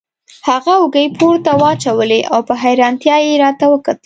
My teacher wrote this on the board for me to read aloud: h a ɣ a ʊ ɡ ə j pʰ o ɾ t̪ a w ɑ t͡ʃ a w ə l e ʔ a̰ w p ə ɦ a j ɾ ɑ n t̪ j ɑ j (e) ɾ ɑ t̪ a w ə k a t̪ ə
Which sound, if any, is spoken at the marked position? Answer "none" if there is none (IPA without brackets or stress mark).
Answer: e